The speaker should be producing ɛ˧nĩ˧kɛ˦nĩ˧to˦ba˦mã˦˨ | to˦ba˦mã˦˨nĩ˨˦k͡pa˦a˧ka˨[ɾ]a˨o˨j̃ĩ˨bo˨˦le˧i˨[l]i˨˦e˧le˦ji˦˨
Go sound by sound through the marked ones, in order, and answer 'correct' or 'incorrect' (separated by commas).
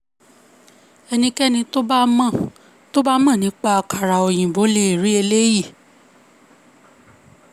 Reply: correct, incorrect